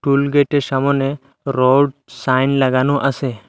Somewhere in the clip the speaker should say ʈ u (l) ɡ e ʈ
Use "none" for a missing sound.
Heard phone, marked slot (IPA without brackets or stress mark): l